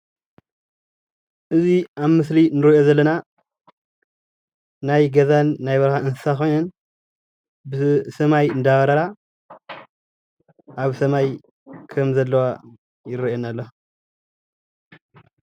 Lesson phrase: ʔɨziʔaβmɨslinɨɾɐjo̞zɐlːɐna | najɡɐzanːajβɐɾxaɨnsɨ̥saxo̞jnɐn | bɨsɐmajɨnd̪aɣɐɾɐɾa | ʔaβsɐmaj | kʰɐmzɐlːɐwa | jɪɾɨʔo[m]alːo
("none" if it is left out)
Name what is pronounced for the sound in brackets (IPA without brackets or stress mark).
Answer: n